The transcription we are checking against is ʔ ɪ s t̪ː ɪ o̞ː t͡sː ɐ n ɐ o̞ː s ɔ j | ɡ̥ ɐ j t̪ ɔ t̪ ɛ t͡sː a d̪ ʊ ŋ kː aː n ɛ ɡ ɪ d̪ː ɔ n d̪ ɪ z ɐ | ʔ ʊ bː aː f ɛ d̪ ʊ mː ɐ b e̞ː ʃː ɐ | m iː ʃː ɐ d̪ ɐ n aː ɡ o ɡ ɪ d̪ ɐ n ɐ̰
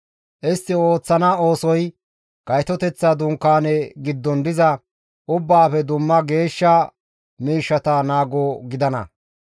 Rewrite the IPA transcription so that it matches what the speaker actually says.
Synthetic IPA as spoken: ʔ ɪ s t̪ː ɪ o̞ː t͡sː ɐ n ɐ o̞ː s ɔ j | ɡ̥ ɐ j t̪ ɔ t̪ ɛ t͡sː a d̪ ʊ ŋ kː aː n ɛ ɡ ɪ d̪ː ɔ n d̪ ɪ z ɐ | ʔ ʊ bː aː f ɛ d̪ ʊ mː ɐ ɡ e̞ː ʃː ɐ | m iː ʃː ɐ t̪ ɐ n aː ɡ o ɡ ɪ d̪ ɐ n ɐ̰